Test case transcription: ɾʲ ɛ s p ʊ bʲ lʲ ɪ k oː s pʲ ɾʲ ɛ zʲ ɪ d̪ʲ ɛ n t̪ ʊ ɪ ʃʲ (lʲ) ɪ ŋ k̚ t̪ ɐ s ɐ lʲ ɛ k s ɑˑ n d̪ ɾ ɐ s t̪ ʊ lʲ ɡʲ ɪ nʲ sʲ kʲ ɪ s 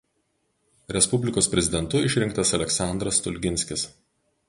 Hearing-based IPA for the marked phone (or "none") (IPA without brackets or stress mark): ɾʲ